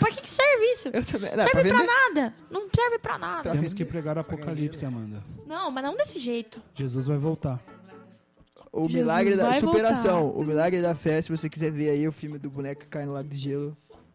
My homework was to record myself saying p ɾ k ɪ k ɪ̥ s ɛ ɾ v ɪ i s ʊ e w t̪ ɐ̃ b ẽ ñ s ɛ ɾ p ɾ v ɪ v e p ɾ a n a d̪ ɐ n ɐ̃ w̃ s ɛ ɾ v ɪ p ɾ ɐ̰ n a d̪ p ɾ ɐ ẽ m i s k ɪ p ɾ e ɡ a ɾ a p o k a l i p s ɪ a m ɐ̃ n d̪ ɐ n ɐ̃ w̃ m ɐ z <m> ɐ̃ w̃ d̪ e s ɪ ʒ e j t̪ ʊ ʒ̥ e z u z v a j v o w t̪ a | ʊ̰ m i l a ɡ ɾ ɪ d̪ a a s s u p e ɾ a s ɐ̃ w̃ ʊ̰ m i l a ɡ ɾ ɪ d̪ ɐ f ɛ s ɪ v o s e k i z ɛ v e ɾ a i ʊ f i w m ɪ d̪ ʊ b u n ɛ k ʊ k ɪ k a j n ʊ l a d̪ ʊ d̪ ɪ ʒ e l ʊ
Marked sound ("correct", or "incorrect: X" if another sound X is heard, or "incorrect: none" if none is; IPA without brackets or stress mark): incorrect: n